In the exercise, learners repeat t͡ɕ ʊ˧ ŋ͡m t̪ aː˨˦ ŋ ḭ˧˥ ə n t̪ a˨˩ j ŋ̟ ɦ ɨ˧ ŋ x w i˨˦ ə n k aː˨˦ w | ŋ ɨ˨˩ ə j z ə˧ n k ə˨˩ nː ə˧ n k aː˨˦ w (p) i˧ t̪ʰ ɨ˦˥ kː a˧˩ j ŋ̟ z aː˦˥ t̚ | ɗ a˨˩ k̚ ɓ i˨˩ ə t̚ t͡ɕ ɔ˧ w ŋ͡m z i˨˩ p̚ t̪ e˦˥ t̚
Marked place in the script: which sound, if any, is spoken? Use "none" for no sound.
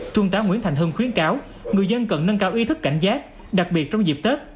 ʔ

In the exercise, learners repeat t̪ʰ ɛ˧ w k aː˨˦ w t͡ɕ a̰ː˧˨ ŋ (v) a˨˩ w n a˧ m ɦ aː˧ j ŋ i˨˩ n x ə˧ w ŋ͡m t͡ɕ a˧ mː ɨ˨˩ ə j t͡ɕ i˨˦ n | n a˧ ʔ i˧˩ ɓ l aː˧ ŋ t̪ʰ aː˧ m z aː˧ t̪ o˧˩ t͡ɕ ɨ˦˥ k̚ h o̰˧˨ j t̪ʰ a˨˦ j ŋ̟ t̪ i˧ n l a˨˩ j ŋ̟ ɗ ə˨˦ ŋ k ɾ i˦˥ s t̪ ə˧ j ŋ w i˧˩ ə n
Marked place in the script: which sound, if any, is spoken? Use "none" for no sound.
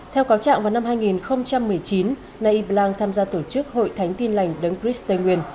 v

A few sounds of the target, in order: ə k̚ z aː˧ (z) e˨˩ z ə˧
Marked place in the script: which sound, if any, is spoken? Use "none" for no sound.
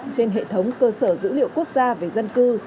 v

